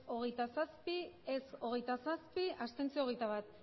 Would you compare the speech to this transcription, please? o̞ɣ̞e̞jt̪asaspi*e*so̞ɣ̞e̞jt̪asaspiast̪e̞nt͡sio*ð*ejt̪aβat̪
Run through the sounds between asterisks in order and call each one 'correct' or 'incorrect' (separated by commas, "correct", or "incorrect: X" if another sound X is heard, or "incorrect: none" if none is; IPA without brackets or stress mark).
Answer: correct, incorrect: ɣ